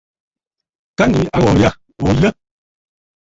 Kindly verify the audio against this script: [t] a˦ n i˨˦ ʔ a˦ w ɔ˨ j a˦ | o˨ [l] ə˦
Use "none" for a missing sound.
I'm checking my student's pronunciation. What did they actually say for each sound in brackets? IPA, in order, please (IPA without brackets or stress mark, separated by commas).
k, l